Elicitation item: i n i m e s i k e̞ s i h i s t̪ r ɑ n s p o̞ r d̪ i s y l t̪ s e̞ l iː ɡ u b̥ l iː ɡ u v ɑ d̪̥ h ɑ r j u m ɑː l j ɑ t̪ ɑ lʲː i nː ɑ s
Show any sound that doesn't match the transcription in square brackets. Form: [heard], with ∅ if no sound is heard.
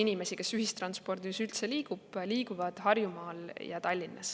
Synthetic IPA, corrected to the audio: i n i m e s i k e̞ s [y] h i s t̪ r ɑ n s p o̞ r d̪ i s y l t̪ s e̞ l iː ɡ u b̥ l iː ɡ u v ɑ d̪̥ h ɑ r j u m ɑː l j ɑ t̪ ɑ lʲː i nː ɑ s